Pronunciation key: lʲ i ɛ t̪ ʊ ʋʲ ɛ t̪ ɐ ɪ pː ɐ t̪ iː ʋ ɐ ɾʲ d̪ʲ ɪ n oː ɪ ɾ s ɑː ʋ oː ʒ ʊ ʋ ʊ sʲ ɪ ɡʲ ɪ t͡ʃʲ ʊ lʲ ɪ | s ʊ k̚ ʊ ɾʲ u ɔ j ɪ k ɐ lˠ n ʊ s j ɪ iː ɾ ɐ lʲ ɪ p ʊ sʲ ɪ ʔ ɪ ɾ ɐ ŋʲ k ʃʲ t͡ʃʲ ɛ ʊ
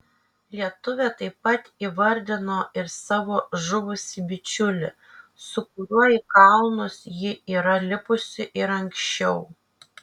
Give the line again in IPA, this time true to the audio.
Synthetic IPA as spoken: lʲ i ɛ t̪ ʊ ʋʲ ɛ t̪ ɐ ɪ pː ɐ t̪ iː ʋ ɐ ɾʲ d̪ʲ ɪ n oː ɪ ɾ s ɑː ʋ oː ʒ ʊ ʋ ʊ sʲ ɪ bʲ ɪ t͡ʃʲ ʊ lʲ ɪ | s ʊ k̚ ʊ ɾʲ u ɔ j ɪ k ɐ lˠ n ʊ s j ɪ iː ɾ ɐ lʲ ɪ p ʊ sʲ ɪ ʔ ɪ ɾ ɐ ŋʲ k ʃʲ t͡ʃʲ ɛ ʊ